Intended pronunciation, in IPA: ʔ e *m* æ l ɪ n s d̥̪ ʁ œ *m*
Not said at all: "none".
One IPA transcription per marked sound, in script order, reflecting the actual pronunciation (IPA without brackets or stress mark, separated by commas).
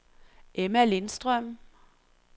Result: m, m